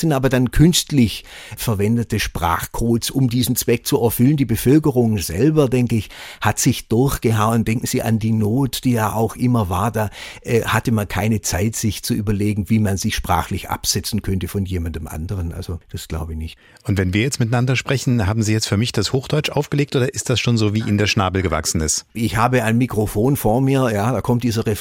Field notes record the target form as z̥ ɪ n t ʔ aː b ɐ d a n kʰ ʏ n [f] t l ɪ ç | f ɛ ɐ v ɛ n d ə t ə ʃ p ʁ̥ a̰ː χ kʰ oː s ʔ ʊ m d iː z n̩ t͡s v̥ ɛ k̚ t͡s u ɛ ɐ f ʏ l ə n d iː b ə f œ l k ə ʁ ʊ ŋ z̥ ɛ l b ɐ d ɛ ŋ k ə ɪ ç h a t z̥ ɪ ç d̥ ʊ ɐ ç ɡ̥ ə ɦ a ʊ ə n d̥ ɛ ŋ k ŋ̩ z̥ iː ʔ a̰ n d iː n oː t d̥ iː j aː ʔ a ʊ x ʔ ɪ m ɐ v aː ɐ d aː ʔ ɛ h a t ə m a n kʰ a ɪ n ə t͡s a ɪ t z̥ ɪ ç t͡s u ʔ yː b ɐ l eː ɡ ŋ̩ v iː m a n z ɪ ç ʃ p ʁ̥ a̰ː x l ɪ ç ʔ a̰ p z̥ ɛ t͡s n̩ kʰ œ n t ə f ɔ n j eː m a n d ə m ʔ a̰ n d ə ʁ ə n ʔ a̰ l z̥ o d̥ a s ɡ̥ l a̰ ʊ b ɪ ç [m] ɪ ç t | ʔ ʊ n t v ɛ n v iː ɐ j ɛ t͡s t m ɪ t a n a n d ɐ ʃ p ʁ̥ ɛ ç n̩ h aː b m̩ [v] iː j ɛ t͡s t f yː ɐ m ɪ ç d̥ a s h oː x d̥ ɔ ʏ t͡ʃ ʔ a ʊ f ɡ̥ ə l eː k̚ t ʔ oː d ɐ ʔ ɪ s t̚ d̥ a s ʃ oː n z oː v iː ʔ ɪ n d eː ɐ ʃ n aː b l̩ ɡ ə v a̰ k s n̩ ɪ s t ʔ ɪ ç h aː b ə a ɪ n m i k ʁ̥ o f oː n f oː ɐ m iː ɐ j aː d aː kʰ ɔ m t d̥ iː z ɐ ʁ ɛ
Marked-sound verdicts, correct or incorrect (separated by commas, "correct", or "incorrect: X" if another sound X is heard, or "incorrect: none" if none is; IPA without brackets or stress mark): incorrect: s, incorrect: n, incorrect: z